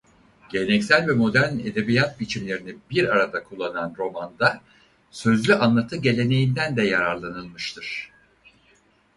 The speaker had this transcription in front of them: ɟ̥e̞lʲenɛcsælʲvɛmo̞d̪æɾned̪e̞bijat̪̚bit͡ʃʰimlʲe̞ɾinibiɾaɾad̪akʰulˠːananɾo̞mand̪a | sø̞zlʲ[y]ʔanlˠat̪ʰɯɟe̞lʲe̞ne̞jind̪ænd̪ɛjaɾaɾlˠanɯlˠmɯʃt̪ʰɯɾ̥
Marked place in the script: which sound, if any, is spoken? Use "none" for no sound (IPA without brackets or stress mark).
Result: y